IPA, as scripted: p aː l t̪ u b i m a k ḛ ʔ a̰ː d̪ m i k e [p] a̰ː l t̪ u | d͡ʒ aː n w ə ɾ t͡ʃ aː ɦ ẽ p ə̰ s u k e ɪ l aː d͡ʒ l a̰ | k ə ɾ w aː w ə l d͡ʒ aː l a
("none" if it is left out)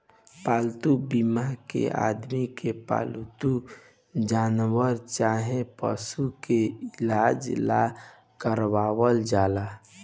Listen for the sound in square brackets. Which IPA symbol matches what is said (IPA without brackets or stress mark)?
p